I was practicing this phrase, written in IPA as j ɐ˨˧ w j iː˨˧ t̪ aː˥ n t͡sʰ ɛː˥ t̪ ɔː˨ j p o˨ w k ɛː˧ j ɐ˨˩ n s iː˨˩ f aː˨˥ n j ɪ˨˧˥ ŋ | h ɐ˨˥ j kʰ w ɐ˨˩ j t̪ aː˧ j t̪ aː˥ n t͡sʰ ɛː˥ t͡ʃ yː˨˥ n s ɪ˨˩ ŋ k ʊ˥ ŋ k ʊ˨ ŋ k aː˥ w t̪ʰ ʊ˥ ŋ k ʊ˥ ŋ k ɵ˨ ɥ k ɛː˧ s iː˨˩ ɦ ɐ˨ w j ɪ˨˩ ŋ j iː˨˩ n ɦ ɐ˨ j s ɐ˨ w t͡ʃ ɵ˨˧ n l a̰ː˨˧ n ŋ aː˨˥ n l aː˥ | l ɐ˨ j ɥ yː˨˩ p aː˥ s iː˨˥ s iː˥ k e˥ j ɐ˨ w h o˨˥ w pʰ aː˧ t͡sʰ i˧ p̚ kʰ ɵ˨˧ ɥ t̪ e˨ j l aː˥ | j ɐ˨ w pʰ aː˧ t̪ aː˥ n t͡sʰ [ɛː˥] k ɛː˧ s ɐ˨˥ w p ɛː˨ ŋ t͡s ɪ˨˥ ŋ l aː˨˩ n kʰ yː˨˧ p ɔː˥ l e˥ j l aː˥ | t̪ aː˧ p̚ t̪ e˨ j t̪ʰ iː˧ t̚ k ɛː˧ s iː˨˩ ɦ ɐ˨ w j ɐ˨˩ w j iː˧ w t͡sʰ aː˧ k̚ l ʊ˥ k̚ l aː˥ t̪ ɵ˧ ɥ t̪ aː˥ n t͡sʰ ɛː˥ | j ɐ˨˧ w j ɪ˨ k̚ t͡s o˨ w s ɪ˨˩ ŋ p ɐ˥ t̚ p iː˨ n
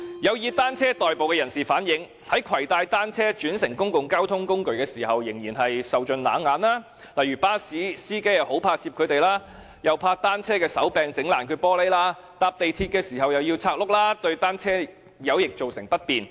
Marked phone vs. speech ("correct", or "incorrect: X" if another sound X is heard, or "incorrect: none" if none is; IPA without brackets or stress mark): correct